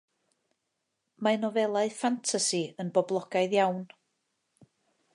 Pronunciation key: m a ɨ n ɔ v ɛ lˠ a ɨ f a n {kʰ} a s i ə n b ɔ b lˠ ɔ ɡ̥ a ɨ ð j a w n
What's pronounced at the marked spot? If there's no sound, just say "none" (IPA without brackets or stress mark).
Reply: tʰ